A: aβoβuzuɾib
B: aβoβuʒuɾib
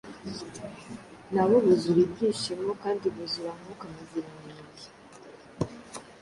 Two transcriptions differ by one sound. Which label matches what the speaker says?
A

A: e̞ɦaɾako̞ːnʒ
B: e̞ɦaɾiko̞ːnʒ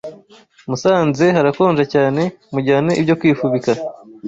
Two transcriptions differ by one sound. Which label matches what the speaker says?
A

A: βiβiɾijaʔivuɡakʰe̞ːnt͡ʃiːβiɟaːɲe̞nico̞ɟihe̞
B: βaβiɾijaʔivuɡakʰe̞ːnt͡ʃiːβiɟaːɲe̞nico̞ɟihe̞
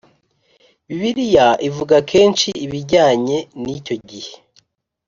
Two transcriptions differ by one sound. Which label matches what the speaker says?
A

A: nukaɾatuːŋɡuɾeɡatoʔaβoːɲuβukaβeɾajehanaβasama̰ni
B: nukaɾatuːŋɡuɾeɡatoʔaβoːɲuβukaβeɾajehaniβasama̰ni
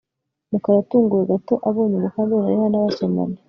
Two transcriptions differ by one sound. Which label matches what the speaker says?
A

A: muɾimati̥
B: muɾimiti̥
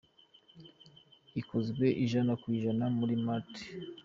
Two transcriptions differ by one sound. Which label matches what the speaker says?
A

